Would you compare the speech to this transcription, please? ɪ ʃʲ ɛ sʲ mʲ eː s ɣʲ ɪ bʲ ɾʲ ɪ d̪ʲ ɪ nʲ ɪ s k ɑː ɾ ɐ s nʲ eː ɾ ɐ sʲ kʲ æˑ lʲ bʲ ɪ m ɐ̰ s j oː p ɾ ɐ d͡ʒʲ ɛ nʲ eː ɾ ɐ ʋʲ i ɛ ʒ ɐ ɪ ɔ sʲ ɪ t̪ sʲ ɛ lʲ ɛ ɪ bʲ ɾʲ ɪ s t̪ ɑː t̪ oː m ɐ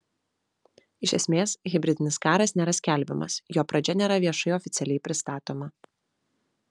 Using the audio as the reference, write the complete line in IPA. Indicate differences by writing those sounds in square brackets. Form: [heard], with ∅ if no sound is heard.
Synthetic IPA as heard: ɪ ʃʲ ɛ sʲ mʲ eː s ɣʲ ɪ bʲ ɾʲ ɪ d̪ʲ ɪ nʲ ɪ s k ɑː ɾ ɐ s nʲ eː ɾ ɐ sʲ kʲ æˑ lʲ bʲ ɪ m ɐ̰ s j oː p ɾ ɐ d͡ʒʲ ɛ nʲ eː ɾ ɐ ʋʲ i ɛ [ʃ] ɐ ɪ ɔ [fʲ] ɪ t̪ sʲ ɛ lʲ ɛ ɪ [pʲ] ɾʲ ɪ s t̪ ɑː t̪ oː m ɐ